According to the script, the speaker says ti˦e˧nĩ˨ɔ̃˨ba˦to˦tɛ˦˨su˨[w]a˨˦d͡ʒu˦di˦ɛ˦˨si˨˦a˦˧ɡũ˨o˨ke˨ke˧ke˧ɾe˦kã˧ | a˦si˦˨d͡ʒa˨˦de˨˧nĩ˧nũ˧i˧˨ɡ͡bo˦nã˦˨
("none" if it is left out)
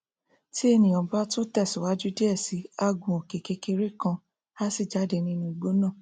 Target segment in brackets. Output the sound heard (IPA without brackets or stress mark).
w